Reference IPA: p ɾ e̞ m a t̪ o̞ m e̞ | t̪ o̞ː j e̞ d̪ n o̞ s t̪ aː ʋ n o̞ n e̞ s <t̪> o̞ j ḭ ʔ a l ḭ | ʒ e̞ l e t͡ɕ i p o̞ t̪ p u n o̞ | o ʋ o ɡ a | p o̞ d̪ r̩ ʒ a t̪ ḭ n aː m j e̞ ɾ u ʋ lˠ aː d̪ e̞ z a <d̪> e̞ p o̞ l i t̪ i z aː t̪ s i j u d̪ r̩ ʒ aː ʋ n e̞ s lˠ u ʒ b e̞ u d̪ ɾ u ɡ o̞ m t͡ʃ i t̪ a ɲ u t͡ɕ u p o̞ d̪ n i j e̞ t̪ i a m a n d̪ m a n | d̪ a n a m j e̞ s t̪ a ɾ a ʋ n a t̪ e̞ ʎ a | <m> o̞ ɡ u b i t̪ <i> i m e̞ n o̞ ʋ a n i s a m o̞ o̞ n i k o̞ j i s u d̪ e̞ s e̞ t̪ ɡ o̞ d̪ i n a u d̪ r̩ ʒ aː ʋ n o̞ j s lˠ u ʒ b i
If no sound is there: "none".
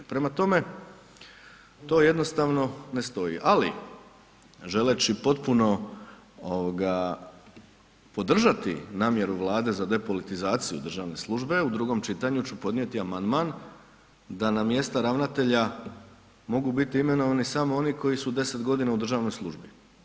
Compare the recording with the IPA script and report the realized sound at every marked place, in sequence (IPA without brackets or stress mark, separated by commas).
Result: t̪, d̪, m, i